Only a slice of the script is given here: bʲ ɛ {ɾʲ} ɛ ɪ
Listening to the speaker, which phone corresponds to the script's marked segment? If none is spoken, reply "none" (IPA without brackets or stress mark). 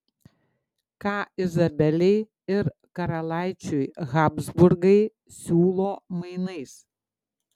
lʲ